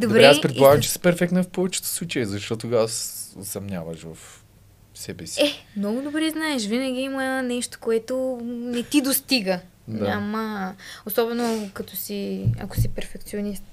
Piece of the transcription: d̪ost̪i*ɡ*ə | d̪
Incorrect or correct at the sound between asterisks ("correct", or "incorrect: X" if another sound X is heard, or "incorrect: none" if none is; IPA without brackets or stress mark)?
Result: correct